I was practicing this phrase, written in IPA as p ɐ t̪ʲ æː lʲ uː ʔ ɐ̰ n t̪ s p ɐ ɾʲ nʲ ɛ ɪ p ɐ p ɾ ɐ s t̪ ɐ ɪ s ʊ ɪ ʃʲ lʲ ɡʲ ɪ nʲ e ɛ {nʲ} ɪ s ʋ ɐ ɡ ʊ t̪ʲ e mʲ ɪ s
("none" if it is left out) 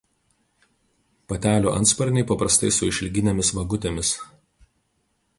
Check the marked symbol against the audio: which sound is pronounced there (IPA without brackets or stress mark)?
mʲ